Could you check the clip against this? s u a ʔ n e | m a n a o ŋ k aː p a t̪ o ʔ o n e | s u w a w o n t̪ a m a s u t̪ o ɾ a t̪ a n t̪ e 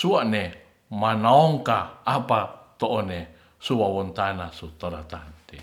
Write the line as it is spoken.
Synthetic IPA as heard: s u a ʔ n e | m a n a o ŋ k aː p a t̪ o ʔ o n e | s u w a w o n t̪ a n a s u t̪ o ɾ a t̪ a n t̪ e